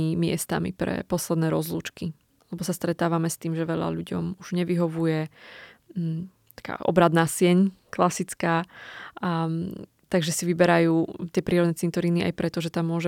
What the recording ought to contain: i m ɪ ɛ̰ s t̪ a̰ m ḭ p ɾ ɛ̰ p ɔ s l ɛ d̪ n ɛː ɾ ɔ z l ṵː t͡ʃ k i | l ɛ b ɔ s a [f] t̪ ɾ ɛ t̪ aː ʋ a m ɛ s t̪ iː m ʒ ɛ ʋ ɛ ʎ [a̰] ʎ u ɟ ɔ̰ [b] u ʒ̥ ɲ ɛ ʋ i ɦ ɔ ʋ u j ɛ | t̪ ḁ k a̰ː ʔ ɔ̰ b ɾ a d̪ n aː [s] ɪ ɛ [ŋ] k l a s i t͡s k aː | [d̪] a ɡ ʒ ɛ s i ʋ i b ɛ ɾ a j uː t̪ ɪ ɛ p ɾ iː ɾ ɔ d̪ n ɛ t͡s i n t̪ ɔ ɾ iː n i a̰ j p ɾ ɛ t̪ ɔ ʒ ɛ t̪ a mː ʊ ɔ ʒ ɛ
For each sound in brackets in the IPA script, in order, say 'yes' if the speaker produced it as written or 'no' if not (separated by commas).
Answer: no, yes, no, yes, no, no